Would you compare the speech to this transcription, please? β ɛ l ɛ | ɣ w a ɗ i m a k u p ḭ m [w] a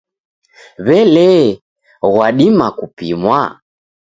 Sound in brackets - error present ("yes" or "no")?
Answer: no